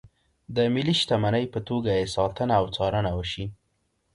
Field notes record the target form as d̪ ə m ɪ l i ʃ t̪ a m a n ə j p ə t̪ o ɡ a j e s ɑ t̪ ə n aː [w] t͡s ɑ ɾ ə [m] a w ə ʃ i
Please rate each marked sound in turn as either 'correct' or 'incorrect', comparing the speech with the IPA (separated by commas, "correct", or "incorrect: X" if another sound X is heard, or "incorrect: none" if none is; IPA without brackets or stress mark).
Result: correct, incorrect: n